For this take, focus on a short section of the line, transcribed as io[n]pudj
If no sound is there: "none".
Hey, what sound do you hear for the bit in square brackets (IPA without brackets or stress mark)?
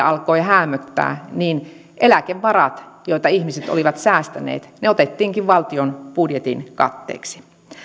n